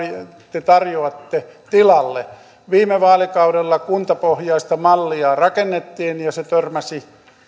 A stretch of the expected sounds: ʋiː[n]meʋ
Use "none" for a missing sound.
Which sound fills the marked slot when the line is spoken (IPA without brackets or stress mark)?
none